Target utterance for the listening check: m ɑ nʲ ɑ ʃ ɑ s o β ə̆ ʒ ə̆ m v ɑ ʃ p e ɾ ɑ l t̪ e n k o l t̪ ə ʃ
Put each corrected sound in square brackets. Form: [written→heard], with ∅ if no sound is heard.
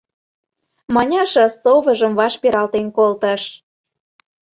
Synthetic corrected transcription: m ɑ nʲ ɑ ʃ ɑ s o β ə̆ ʒ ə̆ m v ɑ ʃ p e ɾ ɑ l t̪ e n k o l t̪ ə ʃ